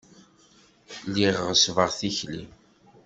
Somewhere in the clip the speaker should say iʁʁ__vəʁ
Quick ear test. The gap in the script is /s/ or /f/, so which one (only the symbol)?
s